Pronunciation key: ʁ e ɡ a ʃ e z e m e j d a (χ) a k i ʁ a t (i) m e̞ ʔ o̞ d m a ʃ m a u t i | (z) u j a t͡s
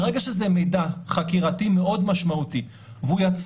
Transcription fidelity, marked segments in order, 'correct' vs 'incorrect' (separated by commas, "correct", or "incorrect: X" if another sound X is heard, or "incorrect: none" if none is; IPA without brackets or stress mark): correct, correct, incorrect: v